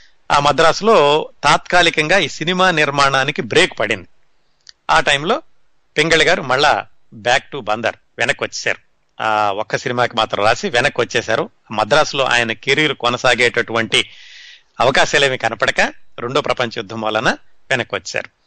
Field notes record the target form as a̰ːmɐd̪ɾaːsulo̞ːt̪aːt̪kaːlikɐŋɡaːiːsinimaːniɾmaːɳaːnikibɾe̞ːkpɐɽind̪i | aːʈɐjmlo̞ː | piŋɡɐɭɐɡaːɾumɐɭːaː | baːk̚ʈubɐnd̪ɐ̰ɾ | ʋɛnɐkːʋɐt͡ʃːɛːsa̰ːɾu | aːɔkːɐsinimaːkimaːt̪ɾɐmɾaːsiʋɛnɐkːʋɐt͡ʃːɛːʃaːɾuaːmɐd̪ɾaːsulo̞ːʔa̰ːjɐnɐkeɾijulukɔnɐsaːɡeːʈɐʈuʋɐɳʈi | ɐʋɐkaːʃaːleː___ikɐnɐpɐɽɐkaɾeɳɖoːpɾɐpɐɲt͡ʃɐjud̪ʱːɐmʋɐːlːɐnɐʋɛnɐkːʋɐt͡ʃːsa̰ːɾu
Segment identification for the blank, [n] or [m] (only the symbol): m